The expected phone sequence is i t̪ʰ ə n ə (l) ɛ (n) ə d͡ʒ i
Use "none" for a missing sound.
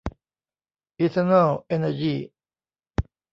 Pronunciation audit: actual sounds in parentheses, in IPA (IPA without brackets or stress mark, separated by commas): l, n